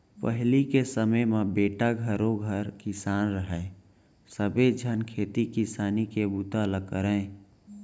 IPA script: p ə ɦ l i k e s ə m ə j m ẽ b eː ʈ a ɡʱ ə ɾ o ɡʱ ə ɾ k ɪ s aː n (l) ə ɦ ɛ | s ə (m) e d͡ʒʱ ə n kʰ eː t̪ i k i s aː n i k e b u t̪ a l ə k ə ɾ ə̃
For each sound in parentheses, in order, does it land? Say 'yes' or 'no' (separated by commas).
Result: no, no